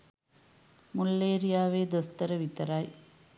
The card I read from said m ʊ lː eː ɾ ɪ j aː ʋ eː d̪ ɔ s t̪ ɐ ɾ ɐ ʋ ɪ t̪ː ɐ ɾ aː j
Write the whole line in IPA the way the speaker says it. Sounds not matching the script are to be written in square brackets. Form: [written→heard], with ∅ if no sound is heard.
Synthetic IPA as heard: m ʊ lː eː ɾ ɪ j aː ʋ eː d̪ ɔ s t̪ ɐ ɾ ɐ ʋ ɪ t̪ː ɐ ɾ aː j